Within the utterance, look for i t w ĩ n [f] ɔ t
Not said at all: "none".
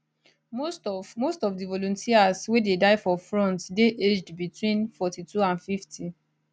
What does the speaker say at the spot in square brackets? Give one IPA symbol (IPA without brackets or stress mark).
f